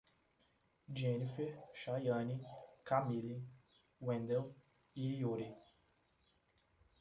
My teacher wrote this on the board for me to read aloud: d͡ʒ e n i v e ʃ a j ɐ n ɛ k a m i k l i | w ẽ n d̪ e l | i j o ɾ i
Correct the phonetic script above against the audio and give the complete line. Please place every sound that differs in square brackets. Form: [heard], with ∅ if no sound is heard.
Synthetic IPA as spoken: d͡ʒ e n i [f] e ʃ a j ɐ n [i] k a m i [∅] l i | w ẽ n d̪ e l | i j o ɾ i